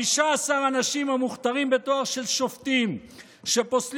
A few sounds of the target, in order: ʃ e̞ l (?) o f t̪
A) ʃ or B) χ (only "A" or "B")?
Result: A